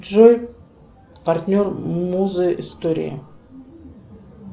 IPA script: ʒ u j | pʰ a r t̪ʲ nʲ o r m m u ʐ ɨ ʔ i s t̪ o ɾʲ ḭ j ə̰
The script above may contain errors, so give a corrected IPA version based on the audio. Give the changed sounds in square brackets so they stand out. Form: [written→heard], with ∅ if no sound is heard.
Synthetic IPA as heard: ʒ [u→o] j | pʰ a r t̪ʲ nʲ o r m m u [ʐ→z] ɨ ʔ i s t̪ o ɾʲ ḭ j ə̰